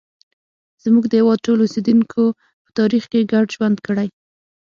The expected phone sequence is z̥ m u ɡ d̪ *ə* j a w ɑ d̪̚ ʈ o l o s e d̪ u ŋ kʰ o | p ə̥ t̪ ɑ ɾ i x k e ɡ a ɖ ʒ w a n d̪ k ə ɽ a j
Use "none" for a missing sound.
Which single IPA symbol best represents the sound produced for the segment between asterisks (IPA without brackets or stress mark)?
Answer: ə